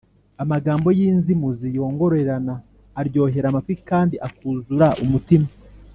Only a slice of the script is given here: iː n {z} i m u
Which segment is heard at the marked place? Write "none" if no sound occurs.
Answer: z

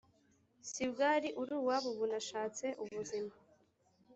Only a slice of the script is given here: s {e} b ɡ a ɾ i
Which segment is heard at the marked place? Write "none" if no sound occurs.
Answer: i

